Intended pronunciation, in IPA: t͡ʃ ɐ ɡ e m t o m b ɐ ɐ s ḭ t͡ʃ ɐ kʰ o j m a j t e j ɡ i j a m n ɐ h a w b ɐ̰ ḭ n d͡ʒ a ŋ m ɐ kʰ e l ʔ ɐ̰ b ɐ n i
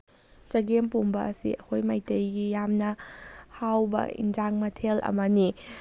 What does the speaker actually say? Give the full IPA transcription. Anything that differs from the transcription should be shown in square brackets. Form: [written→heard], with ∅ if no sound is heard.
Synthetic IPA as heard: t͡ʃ ɐ ɡ e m [t→p] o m b ɐ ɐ s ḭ [t͡ʃ→∅] ɐ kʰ o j m a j t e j ɡ i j a m n ɐ h a w b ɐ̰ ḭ n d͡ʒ a ŋ m ɐ [kʰ→tʰ] e l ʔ ɐ̰ [b→m] ɐ n i